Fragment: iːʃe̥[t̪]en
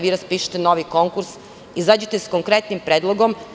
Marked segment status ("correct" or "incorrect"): correct